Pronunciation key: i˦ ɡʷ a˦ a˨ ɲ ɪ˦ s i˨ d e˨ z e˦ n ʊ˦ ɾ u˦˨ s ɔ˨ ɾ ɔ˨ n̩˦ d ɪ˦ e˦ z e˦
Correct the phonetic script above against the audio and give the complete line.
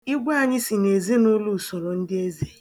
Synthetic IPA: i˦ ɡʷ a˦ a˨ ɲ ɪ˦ s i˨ n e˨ z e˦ n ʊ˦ l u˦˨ s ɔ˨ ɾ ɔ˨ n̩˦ d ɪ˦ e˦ z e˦

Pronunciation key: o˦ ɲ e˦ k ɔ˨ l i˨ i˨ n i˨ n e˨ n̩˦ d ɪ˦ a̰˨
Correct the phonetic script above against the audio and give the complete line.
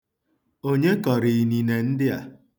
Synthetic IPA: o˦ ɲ e˦ k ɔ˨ ɾ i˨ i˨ n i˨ n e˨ n̩˦ d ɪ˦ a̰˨

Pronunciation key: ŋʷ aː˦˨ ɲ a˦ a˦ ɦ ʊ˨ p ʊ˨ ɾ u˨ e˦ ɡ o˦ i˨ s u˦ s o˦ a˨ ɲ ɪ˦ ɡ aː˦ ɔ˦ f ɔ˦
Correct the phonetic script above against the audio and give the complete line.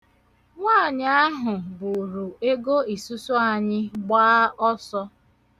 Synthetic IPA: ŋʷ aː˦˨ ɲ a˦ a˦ ɦ ʊ˨ b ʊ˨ ɾ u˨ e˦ ɡ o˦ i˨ s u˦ s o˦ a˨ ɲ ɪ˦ ɡ͡b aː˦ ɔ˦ s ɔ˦

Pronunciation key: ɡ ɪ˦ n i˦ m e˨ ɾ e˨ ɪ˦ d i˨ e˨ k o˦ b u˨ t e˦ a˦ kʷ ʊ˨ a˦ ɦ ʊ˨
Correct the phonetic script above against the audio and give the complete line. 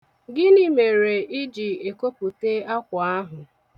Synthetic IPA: ɡ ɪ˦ n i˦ m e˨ ɾ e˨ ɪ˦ d͡ʒ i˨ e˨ k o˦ p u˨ t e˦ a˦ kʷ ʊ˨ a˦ ɦ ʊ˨

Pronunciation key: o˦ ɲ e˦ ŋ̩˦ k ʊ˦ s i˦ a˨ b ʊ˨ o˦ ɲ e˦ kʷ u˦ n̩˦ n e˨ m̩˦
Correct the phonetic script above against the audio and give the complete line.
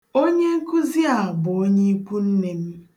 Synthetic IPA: o˦ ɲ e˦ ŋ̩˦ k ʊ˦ z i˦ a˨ b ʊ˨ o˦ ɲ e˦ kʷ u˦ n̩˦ n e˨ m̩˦

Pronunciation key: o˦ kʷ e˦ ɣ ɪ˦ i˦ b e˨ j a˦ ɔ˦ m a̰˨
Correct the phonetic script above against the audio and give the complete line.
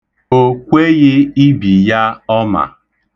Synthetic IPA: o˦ kʷ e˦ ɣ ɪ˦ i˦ b i˨ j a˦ ɔ˦ m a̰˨

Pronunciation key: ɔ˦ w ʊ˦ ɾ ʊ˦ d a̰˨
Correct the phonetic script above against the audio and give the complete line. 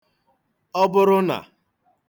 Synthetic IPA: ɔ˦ b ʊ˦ ɾ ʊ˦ n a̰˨

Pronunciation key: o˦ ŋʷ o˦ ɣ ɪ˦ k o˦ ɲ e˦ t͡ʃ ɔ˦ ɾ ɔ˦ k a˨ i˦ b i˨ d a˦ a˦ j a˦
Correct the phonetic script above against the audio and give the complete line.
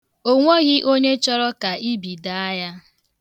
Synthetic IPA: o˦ ŋʷ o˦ ɣ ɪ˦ ʔ o˦ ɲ e˦ t͡ʃ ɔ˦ ɾ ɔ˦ k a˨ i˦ b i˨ d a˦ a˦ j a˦

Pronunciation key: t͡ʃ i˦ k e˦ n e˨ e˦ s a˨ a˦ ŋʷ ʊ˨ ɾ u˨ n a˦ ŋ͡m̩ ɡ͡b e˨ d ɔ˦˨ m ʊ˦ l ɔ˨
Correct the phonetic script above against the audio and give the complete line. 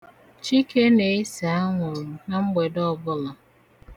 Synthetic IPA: t͡ʃ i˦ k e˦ n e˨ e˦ s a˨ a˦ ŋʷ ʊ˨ ɾ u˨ n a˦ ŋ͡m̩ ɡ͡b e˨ d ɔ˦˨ b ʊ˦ l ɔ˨

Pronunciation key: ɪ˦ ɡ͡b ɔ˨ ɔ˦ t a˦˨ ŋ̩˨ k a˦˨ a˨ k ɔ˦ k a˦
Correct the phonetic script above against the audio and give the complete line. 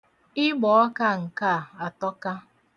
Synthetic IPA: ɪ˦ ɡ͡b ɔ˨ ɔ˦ k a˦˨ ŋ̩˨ k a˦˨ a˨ t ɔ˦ k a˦

